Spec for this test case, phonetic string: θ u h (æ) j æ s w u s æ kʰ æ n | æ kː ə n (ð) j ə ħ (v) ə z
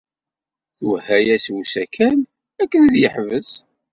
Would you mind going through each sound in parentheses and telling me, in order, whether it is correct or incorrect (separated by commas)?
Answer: correct, correct, correct